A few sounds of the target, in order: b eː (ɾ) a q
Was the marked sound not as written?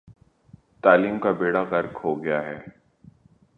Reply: yes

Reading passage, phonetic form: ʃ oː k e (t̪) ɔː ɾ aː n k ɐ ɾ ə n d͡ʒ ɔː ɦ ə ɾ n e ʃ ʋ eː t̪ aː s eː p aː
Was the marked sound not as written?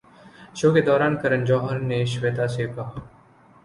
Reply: yes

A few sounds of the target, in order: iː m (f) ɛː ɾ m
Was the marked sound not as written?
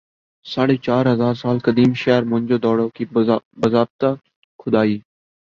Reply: yes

